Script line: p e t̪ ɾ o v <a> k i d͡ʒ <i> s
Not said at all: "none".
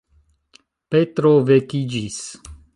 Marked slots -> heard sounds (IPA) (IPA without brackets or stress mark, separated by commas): e, i